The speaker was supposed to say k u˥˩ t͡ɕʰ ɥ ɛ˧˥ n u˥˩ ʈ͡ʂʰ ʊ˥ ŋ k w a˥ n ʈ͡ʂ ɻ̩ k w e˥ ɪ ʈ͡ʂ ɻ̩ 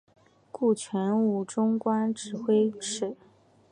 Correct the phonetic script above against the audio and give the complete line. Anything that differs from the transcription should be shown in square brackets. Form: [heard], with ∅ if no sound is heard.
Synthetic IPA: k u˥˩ t͡ɕʰ ɥ ɛ˧˥ n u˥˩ [ʈ͡ʂ] ʊ˥ ŋ k w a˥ n ʈ͡ʂ ɻ̩ [x] w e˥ ɪ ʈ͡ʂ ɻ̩